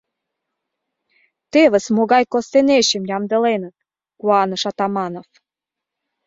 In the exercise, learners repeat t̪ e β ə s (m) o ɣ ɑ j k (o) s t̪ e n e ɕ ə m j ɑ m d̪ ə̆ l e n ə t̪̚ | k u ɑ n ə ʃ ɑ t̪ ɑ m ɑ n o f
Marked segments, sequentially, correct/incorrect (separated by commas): correct, correct